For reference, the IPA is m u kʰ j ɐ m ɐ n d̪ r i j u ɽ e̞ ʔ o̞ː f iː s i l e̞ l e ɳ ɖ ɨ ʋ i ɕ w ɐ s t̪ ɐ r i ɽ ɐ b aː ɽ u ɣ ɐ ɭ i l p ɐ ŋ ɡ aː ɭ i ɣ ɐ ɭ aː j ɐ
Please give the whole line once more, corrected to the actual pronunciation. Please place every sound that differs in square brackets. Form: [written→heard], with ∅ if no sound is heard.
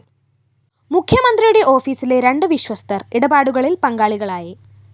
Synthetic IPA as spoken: m u kʰ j ɐ m ɐ n d̪ r i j u ɽ e̞ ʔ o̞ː f iː s i l e̞ [l→ɾ] e ɳ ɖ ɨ ʋ i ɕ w ɐ s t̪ ɐ r i ɽ ɐ b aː ɽ u ɣ ɐ ɭ i l p ɐ ŋ ɡ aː ɭ i ɣ ɐ ɭ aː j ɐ